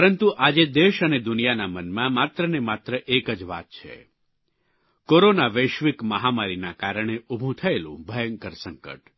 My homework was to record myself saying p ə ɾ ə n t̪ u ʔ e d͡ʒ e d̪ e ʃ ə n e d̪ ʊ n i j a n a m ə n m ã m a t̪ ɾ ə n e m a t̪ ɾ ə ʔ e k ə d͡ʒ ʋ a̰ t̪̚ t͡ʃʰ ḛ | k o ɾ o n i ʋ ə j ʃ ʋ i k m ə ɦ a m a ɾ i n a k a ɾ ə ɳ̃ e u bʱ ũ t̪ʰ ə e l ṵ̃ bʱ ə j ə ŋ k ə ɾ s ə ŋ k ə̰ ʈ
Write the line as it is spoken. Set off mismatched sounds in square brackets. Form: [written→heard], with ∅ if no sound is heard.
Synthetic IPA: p ə ɾ ə n t̪ u ʔ [e→a] d͡ʒ e d̪ e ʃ ə n e d̪ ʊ n i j a n a m ə n m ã m a t̪ ɾ ə n e m a t̪ ɾ ə ʔ e k ə d͡ʒ ʋ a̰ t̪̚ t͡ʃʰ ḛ | k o ɾ o n [i→a] ʋ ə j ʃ ʋ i k m ə ɦ a m a ɾ i n a k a ɾ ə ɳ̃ e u bʱ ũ t̪ʰ ə e l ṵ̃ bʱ ə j ə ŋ k ə ɾ s ə ŋ k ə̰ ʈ

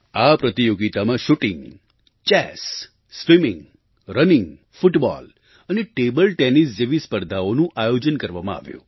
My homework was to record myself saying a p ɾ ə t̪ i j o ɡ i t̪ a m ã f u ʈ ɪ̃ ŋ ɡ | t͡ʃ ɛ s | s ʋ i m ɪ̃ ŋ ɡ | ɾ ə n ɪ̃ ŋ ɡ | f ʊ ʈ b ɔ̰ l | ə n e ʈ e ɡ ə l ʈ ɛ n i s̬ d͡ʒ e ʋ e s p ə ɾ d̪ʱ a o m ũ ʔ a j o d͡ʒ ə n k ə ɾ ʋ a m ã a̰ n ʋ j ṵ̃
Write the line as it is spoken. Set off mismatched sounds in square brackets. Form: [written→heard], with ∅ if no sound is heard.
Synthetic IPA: a p ɾ ə t̪ i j o ɡ i t̪ a m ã [f→ʃ] u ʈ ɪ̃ ŋ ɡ | t͡ʃ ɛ s | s ʋ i m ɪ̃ ŋ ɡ | ɾ ə n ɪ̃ ŋ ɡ | f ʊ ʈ b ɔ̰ l | ə n e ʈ e [ɡ→b] ə l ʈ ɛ n i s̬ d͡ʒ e ʋ [e→i] s p ə ɾ d̪ʱ a o [m→n] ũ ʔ a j o d͡ʒ ə n k ə ɾ ʋ a m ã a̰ [n→∅] ʋ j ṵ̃

